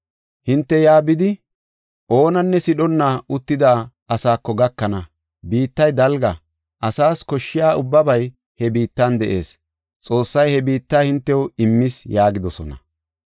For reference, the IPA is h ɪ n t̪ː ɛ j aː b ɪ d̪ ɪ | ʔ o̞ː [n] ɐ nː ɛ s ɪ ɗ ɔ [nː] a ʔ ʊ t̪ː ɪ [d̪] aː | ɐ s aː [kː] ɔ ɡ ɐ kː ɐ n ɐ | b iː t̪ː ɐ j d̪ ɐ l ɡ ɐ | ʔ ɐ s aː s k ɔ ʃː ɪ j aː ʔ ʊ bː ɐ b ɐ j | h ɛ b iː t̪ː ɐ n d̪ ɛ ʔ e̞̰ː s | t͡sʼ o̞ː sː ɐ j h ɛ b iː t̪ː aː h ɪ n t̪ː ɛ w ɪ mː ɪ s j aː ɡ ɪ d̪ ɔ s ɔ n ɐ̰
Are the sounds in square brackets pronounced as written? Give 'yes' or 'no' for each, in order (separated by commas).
yes, yes, yes, yes